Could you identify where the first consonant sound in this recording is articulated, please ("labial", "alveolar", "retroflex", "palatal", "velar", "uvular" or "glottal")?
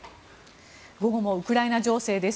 velar